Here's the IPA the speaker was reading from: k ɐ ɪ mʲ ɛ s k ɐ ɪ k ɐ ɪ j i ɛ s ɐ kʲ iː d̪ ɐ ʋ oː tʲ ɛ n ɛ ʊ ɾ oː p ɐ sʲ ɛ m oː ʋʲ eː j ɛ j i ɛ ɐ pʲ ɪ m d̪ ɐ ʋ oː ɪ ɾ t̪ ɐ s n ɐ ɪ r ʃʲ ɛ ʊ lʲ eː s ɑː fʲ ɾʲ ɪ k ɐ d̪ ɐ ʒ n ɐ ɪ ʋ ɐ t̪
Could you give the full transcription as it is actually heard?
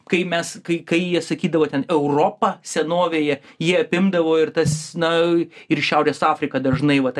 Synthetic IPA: k ɐ ɪ mʲ ɛ s k ɐ ɪ k ɐ ɪ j i ɛ s ɐ kʲ iː d̪ ɐ ʋ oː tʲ ɛ n ɛ ʊ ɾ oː p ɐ sʲ ɛ n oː ʋʲ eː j ɛ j i ɛ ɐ pʲ ɪ m d̪ ɐ ʋ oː ɪ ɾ t̪ ɐ s n ɐ ɪ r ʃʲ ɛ ʊ ɾʲ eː s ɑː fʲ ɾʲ ɪ k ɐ d̪ ɐ ʒ n ɐ ɪ ʋ ɐ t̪